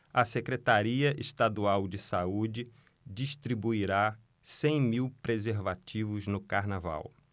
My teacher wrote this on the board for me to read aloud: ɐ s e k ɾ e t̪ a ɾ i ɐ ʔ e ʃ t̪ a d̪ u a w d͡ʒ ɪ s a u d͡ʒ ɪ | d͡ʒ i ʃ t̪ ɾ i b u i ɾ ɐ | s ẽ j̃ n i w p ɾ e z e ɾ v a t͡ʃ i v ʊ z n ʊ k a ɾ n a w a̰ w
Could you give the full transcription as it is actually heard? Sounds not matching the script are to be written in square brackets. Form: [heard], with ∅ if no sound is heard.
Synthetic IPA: ɐ s e k ɾ e t̪ a ɾ i ɐ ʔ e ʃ t̪ a d̪ u a w d͡ʒ ɪ s a u d͡ʒ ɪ | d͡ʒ i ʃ t̪ ɾ i b u i ɾ [a] | s ẽ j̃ [m] i w p ɾ e z e ɾ v a t͡ʃ i v ʊ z n ʊ k a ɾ n a [v] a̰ w